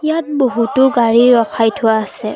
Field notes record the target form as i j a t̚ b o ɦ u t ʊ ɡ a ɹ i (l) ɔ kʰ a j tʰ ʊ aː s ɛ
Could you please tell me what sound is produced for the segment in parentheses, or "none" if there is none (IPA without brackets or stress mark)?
ɹ